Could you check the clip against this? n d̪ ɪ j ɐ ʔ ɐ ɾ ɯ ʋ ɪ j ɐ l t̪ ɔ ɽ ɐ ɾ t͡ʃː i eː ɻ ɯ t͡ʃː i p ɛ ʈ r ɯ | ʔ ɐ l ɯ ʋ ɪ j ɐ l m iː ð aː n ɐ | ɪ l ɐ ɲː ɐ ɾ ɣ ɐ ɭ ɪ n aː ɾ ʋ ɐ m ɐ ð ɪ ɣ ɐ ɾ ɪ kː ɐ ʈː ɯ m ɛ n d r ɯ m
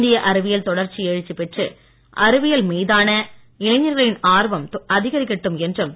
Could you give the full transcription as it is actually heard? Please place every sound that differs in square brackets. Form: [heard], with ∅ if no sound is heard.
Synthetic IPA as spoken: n d̪ ɪ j ɐ ʔ ɐ ɾ ɯ ʋ ɪ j ɐ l t̪ ɔ ɽ ɐ ɾ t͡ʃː i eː ɻ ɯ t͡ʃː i p ɛ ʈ r ɯ | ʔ ɐ [ɾ] ɯ ʋ ɪ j ɐ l m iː ð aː n ɐ | ɪ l ɐ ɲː ɐ ɾ ɣ ɐ ɭ ɪ n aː ɾ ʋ ɐ m ɐ ð ɪ ɣ ɐ ɾ ɪ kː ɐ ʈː ɯ m ɛ n d r ɯ m